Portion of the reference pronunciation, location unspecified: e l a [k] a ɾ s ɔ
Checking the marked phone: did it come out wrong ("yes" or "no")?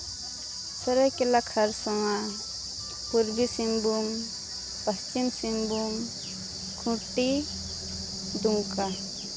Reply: yes